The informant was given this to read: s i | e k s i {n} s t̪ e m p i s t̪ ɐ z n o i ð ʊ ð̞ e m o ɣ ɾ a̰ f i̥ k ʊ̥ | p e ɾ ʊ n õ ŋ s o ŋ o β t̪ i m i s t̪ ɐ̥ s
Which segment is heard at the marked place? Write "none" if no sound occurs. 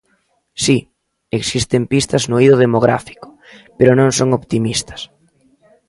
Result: none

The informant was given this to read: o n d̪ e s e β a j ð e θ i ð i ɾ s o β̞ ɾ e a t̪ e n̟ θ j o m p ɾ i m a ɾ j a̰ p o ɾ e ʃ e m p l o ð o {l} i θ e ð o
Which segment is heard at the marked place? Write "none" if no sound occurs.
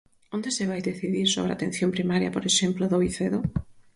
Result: none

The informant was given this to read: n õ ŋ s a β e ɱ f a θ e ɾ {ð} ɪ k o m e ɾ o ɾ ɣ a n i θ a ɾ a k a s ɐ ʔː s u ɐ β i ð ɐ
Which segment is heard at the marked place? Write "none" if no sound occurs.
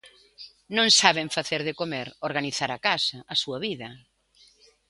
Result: ð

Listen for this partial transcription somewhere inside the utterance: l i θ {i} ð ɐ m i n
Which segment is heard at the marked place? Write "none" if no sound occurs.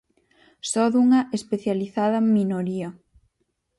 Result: a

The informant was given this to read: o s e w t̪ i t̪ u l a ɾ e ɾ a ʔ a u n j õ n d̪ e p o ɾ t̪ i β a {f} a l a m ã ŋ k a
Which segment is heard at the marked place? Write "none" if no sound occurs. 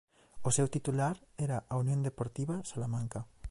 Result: s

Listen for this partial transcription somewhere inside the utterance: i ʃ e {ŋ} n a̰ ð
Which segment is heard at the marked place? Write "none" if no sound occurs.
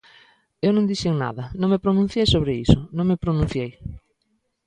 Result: ŋ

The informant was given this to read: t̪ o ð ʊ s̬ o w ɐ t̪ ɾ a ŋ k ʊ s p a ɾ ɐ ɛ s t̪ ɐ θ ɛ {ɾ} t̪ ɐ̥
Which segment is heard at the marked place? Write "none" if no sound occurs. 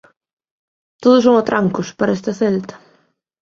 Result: l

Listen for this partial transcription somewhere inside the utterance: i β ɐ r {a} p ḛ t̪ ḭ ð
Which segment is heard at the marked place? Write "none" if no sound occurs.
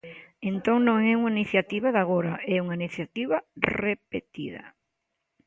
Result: e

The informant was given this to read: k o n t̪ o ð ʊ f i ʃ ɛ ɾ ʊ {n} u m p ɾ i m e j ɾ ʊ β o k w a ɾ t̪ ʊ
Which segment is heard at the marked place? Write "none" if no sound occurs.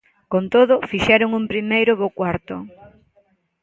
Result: ŋ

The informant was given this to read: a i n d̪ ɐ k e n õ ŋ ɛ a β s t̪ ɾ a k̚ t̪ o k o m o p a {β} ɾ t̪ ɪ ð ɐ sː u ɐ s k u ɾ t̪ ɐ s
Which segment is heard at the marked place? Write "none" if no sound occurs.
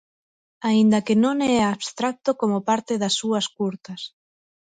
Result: none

